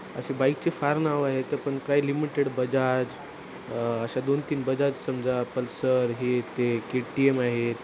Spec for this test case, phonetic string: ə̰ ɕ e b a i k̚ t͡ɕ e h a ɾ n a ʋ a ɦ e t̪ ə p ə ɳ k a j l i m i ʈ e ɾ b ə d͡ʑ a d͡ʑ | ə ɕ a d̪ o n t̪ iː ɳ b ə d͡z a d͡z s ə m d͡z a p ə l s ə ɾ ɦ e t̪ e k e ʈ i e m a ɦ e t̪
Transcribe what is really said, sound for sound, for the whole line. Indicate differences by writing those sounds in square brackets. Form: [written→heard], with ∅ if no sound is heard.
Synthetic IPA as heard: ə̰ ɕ e b a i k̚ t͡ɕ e [h→f] a ɾ n a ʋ a ɦ e t̪ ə p ə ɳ k a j l i m i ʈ e [ɾ→ɽ] b ə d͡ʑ a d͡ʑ | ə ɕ a d̪ o n t̪ iː [ɳ→n] b ə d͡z a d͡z s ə m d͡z a p ə l s ə ɾ ɦ e t̪ e k e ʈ i e m a ɦ e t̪

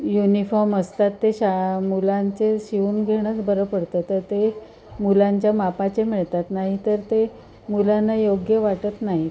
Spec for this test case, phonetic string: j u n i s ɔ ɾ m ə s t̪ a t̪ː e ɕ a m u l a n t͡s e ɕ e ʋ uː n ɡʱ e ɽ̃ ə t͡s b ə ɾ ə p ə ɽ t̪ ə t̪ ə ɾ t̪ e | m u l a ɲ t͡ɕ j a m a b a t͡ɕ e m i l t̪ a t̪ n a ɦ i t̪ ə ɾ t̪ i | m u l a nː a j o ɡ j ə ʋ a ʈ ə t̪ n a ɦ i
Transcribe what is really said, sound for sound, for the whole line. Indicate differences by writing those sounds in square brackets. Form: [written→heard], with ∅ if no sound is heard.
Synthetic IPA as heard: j u n i [s→f] ɔ ɾ m ə s t̪ a t̪ː e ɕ a m u l a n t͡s e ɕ [e→i] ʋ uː n ɡʱ e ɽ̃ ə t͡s b ə ɾ ə p ə ɽ t̪ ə t̪ ə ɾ t̪ e | m u l a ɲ t͡ɕ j a m a [b→p] a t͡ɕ e m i [l→ɭ] t̪ a t̪ n a ɦ i t̪ ə ɾ t̪ [i→e] | m u l a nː a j o ɡ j ə ʋ a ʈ ə t̪ n a ɦ i

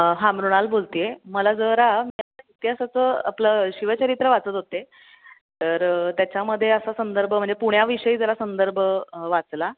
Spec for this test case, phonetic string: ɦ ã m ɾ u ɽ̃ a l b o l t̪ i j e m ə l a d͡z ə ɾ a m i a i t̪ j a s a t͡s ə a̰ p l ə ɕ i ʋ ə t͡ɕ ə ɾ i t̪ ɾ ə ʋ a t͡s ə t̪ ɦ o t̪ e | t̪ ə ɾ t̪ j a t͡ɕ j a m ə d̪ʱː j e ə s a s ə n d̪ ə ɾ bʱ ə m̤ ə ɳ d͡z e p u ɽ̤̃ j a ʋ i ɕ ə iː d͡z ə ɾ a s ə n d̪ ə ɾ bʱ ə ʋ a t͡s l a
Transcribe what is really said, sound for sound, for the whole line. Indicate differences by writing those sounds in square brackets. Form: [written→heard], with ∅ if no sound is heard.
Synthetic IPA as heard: ɦ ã m ɾ u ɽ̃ a l b o l t̪ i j e m ə l a d͡z ə ɾ a m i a i t̪ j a s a t͡s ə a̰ p l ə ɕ i ʋ ə t͡ɕ ə ɾ i t̪ ɾ ə ʋ a t͡s ə t̪ ɦ o t̪ e | t̪ ə ɾ t̪ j a t͡ɕ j a m ə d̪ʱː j e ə s a s ə n d̪ ə ɾ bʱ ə m̤ ə ɳ d͡z e p u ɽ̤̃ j a ʋ i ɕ ə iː d͡z ə ɾ a s ə n d̪ ə ɾ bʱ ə ʋ a t͡s l a

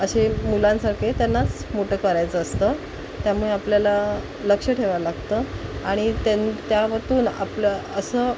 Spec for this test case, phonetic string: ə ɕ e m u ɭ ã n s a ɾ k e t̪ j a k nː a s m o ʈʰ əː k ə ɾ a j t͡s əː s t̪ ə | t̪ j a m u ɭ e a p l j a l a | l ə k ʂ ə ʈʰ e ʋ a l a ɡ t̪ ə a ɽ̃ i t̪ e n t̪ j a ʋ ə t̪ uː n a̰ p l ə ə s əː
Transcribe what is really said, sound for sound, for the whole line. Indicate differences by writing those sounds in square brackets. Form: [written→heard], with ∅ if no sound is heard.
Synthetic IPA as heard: ə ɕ e m u [ɭ→l] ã n s a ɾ k e t̪ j a [k→∅] nː a [s→t͡s] m o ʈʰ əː k ə ɾ a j t͡s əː s t̪ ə | t̪ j a m u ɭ e a p l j a l a | l ə k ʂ ə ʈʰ e ʋ a l a ɡ t̪ ə a ɽ̃ i t̪ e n t̪ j a ʋ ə t̪ uː n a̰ p l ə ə s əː

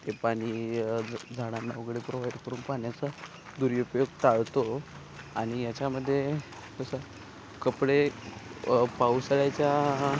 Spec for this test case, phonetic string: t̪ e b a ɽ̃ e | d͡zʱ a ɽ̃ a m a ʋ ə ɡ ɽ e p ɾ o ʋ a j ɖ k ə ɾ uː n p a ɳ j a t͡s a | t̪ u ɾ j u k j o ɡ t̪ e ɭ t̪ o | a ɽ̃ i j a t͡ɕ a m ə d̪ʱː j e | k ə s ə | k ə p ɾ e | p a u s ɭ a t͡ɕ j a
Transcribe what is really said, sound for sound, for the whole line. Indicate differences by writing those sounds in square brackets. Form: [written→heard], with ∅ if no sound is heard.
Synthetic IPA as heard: t̪ e [b→p] a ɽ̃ [e→i] | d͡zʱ a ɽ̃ a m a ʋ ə ɡ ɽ e p ɾ o ʋ a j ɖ k ə ɾ uː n p a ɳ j a t͡s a | [t̪→d̪] u ɾ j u [k→p] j o ɡ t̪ [e→a] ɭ t̪ o | a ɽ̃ i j a t͡ɕ a m ə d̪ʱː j e | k ə s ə | k ə p [ɾ→ɽ] e | p a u s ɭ a t͡ɕ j a

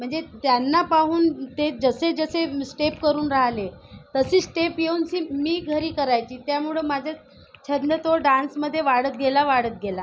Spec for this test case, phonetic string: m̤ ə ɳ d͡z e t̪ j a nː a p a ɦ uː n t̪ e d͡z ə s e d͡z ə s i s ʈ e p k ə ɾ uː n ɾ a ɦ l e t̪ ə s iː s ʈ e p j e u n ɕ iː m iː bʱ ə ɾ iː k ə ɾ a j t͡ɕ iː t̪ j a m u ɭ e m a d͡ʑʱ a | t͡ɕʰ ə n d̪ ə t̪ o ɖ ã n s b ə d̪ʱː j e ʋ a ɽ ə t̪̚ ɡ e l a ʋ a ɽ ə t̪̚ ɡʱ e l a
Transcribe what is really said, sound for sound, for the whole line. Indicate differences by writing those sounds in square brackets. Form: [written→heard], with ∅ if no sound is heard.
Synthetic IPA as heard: m̤ ə ɳ d͡z e t̪ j a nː a p a ɦ uː n t̪ e d͡z ə s e d͡z ə s [i→e] s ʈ e p k ə ɾ uː n ɾ a ɦ l e t̪ ə s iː s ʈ e p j e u n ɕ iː m iː [bʱ→ɡʱ] ə ɾ iː k ə ɾ a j t͡ɕ iː t̪ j a m u ɭ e m a d͡ʑʱ a | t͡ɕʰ ə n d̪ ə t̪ o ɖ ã n s [b→m] ə d̪ʱː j e ʋ a ɽ ə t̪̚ ɡ e l a ʋ a ɽ ə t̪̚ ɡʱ e l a

